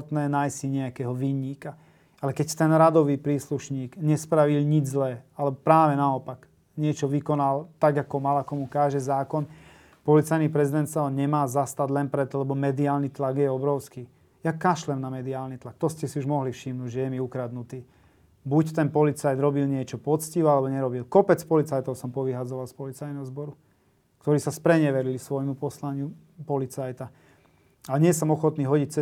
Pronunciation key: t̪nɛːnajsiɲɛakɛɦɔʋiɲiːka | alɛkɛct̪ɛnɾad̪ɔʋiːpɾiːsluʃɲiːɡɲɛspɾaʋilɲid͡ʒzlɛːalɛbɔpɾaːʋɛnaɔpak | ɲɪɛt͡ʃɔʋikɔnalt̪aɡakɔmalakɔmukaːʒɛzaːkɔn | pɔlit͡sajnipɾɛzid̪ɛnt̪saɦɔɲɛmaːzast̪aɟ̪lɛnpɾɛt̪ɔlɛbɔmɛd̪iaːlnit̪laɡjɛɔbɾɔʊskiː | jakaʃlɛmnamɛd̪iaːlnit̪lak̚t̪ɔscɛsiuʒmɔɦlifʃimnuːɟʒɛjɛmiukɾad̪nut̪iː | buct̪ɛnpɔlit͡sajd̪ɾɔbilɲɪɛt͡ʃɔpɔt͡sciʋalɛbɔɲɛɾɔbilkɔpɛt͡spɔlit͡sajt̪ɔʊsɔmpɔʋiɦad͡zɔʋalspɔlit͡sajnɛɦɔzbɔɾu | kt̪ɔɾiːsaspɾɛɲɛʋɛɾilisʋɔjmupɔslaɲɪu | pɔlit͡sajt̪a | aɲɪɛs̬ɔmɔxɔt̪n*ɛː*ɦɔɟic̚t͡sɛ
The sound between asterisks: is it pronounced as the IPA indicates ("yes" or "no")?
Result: no